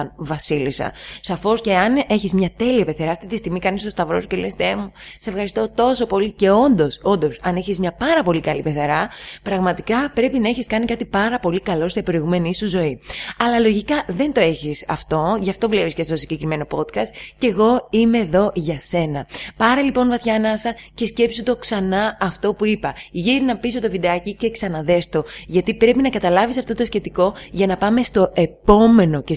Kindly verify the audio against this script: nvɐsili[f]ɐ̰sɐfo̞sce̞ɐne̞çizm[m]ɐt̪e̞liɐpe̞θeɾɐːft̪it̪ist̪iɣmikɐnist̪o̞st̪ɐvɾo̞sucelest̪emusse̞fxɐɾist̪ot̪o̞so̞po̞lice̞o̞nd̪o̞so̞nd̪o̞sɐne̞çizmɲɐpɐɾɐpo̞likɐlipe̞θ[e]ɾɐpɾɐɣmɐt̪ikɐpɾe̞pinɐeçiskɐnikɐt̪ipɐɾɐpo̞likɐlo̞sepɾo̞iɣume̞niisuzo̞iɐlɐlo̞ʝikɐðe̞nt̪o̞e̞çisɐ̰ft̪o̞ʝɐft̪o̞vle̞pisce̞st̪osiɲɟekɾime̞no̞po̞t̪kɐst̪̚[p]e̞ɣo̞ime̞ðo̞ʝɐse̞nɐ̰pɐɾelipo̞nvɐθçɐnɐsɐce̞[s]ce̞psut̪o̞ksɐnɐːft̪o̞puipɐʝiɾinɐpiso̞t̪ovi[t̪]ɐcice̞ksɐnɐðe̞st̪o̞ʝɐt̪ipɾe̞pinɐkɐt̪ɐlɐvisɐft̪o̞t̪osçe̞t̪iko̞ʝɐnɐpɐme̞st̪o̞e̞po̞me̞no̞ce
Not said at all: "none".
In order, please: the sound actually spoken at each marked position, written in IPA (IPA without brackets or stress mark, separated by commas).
s, ɲ, e, c, s, d̪